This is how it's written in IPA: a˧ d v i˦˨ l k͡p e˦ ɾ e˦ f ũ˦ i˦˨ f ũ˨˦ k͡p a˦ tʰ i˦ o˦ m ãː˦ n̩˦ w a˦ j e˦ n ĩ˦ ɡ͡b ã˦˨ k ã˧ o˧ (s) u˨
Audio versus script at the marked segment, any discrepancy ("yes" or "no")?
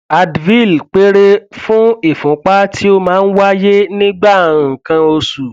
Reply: no